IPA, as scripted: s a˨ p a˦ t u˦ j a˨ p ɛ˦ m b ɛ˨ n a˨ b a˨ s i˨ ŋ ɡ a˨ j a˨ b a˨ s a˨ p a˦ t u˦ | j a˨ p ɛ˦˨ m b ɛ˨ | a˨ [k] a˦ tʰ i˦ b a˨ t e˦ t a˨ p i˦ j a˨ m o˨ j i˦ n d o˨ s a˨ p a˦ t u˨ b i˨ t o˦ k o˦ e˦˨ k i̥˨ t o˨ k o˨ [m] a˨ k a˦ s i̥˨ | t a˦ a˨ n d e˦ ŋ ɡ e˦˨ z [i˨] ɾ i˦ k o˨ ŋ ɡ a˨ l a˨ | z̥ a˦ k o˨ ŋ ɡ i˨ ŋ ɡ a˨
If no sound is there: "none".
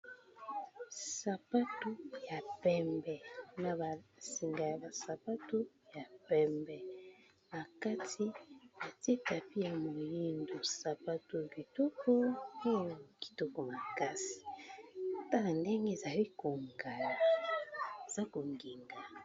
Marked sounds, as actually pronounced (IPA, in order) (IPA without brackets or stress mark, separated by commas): k, m, a˨